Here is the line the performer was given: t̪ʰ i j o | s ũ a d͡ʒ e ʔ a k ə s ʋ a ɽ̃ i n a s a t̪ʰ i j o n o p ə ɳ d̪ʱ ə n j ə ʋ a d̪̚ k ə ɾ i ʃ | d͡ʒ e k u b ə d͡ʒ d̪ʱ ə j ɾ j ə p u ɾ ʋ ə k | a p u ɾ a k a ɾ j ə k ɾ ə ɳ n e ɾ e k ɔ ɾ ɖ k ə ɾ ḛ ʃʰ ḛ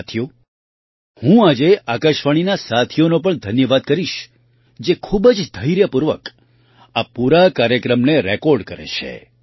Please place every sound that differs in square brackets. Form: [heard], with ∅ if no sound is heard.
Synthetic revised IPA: t̪ʰ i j o | [h] ũ a d͡ʒ e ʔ a k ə [ʃ] ʋ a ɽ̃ i n a s a t̪ʰ i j o n o p ə ɳ d̪ʱ ə n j ə ʋ a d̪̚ k ə ɾ i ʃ | d͡ʒ e [kʰ] u b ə d͡ʒ d̪ʱ ə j ɾ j ə p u ɾ ʋ ə k | a p u ɾ a k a ɾ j ə k ɾ ə [m] n e ɾ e k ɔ ɾ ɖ k ə ɾ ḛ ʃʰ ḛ

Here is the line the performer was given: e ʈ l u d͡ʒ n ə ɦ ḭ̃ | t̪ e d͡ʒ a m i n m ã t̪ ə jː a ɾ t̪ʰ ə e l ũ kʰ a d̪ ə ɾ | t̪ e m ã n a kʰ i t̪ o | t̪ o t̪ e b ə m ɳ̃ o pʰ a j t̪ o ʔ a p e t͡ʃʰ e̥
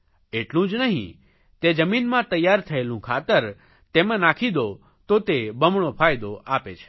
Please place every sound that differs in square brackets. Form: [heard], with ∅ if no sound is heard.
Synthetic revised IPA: e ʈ l [ũ] d͡ʒ n ə ɦ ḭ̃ | t̪ e d͡ʒ [ə] m i n m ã t̪ ə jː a ɾ t̪ʰ ə e l ũ kʰ a [t̪] ə ɾ | t̪ e m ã n a kʰ i [d̪] o | t̪ o t̪ e b ə m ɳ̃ o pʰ a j [d̪] o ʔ a p e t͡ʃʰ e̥

